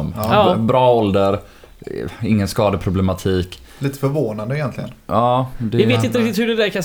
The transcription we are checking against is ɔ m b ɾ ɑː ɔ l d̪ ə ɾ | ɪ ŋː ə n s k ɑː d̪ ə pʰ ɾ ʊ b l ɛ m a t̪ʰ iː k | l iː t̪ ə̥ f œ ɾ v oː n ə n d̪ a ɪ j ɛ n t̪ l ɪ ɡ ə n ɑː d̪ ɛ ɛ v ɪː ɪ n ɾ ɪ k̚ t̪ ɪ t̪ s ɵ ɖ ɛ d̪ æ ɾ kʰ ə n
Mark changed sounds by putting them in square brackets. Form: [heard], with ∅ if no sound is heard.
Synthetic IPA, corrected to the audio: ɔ m b ɾ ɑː ɔ l d̪ ə ɾ | ɪ ŋː ə n s k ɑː d̪ ə pʰ ɾ ʊ b l ɛ m a t̪ʰ iː k | l iː t̪ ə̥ f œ ɾ v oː n [a] n d̪ [ə] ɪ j ɛ n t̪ l ɪ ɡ ə n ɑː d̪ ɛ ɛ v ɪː ɪ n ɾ ɪ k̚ t̪ ɪ t̪ [h] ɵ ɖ ɛ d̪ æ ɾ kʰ [a] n